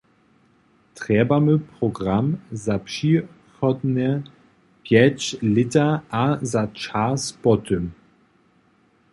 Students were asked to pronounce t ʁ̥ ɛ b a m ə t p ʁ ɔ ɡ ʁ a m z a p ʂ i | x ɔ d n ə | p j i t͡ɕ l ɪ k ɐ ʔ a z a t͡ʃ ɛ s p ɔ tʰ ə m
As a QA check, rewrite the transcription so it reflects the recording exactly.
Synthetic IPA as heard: t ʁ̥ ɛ b a m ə p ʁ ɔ ɡ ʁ a m z a p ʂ i | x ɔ d n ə | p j ɛ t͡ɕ l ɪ t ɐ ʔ a z a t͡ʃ a s p ɔ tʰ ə m